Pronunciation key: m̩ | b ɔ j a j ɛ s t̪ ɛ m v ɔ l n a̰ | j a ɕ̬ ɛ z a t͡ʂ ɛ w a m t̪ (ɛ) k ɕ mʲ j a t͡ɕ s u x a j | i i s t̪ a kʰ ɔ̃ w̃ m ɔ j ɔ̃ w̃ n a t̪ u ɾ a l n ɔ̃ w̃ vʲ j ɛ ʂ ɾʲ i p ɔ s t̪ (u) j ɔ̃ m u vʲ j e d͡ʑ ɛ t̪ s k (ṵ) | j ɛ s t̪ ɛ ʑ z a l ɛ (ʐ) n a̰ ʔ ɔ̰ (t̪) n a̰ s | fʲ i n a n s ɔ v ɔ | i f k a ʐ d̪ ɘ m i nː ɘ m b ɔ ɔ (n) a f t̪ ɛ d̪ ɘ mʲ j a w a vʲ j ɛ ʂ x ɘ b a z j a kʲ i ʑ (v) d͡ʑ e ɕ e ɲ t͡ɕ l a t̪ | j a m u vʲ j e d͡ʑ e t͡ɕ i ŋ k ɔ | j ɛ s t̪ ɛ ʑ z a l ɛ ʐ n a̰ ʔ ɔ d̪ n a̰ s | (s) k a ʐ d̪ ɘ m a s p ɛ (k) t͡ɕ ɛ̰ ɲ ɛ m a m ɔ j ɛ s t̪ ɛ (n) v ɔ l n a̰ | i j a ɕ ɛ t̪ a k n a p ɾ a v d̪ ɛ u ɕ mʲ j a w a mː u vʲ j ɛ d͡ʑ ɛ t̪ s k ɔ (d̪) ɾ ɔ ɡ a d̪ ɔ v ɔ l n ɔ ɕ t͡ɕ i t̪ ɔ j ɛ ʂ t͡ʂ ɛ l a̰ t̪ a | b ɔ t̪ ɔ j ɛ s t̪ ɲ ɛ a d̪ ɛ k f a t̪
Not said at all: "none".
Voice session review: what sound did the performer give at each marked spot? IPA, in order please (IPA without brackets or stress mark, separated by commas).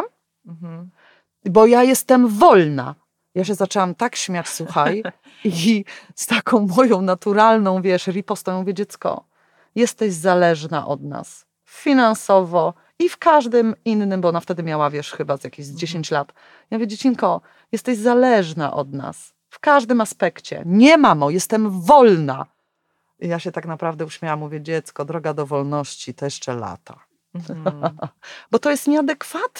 a, ɔ, ɔ̰, ʐ, d̪, n, z, f, k, m, d̪